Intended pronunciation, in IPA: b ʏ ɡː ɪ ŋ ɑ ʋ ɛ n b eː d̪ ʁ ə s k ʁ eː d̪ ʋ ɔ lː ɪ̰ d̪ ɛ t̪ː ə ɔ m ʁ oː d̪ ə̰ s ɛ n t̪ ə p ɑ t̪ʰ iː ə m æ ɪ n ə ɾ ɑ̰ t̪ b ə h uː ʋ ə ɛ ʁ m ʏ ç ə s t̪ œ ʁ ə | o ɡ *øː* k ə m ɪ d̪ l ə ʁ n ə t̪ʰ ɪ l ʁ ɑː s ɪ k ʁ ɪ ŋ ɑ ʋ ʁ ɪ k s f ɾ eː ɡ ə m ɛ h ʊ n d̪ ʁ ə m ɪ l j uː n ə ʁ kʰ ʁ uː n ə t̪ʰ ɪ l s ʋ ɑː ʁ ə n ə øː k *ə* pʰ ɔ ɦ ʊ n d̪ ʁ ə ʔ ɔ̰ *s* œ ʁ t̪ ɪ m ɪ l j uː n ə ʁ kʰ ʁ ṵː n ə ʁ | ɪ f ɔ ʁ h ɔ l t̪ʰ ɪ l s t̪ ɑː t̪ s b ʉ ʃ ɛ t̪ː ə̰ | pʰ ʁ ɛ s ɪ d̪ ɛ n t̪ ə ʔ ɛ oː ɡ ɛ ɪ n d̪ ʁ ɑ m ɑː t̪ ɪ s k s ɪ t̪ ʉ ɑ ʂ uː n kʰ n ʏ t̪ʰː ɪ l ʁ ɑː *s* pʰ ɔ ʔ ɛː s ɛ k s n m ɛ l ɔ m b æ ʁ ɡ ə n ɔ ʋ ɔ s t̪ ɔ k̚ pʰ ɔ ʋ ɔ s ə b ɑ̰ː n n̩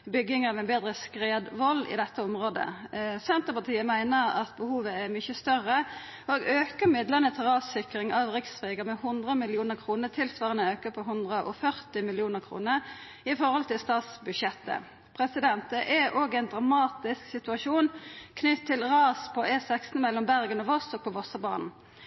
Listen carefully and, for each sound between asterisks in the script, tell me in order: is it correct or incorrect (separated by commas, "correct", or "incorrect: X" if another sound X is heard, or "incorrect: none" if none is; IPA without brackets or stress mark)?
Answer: correct, correct, incorrect: f, correct